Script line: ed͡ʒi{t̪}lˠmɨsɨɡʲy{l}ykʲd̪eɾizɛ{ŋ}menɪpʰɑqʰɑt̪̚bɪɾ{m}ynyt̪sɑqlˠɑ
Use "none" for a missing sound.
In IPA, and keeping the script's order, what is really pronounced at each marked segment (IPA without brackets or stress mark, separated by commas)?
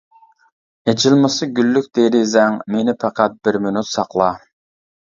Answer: none, lː, ŋ, m